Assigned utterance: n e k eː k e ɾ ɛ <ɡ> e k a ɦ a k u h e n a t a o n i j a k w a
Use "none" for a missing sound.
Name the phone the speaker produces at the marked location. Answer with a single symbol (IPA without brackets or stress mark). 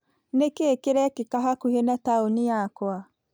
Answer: k